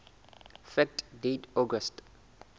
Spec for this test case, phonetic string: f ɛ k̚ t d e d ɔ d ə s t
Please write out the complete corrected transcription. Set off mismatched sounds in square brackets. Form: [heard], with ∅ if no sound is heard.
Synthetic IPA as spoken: f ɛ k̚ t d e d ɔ [ɡ] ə s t

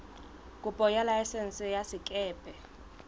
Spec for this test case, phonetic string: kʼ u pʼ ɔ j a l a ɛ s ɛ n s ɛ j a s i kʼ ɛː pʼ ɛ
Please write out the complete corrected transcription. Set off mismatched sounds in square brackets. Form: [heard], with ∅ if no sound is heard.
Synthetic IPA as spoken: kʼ u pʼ ɔ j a l a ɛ s ɛ n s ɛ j a s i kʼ ɛː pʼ ɛ

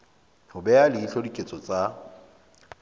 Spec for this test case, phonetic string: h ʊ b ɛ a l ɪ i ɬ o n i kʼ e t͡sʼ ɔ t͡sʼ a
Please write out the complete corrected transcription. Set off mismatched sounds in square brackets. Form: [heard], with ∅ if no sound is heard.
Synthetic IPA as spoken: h ʊ b ɛ a l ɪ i ɬ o [d] i kʼ e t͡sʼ ɔ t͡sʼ a

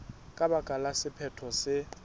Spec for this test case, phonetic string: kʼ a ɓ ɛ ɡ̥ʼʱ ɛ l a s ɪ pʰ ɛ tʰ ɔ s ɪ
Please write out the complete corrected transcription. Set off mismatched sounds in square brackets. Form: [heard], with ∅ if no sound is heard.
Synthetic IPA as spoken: kʼ a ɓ [a] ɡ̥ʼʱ [a] l a s ɪ pʰ ɛ tʰ ɔ s ɪ

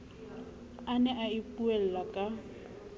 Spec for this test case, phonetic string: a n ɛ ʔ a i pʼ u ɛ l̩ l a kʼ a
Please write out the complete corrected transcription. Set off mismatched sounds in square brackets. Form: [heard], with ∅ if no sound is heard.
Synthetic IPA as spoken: a n ɛ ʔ a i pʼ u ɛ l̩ l a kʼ a

